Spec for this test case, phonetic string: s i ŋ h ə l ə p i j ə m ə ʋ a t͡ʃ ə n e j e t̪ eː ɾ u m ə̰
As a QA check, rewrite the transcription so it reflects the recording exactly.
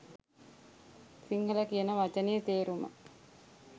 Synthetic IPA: s i ŋ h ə l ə k i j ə n ə ʋ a t͡ʃ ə n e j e t̪ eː ɾ u m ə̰

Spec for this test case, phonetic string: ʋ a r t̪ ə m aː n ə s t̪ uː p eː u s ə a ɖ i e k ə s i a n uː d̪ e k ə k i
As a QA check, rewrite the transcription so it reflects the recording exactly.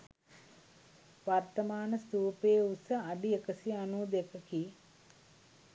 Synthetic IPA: ʋ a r t̪ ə m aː n ə s t̪ uː p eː u s ə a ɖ i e k ə s i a n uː d̪ e k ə k i

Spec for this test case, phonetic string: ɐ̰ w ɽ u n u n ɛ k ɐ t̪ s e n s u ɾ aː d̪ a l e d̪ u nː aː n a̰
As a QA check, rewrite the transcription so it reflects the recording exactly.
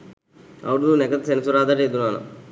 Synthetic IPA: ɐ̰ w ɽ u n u n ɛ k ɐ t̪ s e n s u ɾ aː d̪ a ɾ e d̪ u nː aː n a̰

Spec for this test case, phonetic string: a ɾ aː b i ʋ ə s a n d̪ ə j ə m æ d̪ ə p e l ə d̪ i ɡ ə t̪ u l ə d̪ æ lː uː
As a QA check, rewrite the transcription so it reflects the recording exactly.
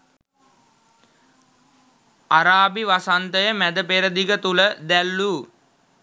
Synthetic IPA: a ɾ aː b i ʋ a s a n t̪ ə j ə m æ d̪ ə p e ɾ ə d̪ i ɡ ə t̪ u l ə d̪ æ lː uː

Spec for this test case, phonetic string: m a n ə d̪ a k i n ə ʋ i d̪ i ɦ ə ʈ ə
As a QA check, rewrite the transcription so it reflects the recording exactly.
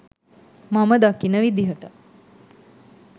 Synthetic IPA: m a m ə d̪ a k i n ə ʋ i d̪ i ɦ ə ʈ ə

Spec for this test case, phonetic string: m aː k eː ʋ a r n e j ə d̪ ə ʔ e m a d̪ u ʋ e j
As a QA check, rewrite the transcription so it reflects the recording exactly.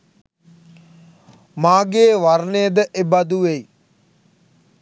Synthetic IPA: m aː ɡ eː ʋ a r n e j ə d̪ ə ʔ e b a d̪ u ʋ e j

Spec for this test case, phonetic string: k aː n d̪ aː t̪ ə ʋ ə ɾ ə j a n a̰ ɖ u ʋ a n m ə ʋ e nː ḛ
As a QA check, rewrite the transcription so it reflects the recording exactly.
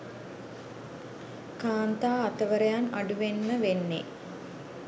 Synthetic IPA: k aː n t̪ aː t̪ ə ʋ ə ɾ ə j a n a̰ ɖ u ʋ e n m ə ʋ e nː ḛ

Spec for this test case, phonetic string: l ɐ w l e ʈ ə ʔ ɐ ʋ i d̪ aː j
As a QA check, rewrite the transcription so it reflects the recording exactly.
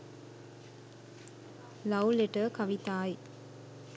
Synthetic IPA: l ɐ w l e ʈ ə k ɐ ʋ i t̪ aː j

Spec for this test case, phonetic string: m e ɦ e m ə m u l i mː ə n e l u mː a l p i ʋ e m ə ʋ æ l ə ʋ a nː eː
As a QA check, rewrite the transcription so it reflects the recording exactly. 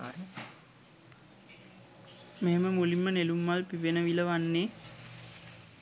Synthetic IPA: m e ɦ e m ə m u l i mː ə n e l u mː a l p i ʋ e n ə ʋ i l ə ʋ a nː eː

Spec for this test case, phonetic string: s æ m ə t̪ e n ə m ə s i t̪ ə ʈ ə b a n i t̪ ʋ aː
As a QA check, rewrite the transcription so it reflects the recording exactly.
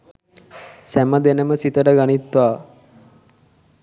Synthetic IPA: s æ m ə d̪ e n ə m ə s i t̪ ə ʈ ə ɡ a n i t̪ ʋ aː

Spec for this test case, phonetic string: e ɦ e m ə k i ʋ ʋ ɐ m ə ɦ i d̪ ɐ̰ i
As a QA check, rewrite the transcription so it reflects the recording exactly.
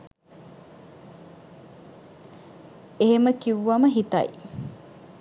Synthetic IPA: e ɦ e m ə k i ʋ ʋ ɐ m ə ɦ i t̪ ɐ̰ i

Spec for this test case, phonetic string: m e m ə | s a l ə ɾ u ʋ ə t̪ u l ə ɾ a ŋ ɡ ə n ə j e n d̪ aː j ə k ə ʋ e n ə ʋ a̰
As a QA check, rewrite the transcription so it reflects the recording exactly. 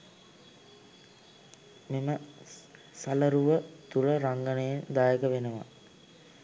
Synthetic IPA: m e m ə | s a l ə ɾ u ʋ ə t̪ u l ə ɾ a ŋ ɡ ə n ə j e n d̪ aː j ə k ə ʋ e n ə ʋ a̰

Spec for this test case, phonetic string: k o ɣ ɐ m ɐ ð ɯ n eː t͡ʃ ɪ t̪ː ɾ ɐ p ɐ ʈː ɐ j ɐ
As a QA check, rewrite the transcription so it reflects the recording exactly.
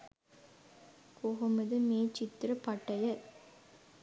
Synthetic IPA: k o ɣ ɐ m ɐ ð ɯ m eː t͡ʃ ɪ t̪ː ɾ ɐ p ɐ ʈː ɐ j ɐ

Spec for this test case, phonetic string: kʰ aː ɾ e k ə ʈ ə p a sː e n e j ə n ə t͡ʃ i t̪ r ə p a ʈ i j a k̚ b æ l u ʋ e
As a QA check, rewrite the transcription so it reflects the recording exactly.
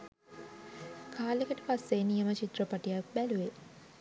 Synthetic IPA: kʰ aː l e k ə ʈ ə p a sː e n i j ə m ə t͡ʃ i t̪ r ə p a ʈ i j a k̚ b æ l u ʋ e

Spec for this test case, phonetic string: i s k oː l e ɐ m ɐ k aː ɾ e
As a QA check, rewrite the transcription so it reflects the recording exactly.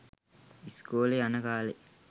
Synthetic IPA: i s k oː l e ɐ n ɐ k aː l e

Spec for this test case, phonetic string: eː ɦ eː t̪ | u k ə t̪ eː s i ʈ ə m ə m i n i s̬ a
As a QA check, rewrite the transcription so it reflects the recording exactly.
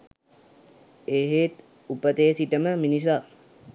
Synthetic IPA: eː ɦ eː t̪ | u p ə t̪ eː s i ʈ ə m ə m i n i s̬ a

